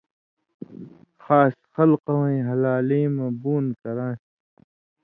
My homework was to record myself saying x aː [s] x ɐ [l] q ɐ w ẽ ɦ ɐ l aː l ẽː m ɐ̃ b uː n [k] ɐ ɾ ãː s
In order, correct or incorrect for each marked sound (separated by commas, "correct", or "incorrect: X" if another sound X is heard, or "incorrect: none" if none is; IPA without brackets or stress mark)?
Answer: correct, correct, correct